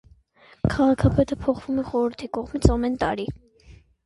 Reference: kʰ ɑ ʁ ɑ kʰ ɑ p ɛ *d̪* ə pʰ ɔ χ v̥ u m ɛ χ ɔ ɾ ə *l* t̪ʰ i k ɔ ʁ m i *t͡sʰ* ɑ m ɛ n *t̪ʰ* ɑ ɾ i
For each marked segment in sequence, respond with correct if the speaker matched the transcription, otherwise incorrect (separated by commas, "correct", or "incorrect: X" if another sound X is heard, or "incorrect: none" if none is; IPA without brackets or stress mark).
incorrect: t̪, incorrect: ɾ, correct, incorrect: t̪